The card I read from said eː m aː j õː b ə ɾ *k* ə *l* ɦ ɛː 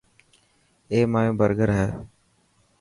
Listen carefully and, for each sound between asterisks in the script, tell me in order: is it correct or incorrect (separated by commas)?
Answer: incorrect, incorrect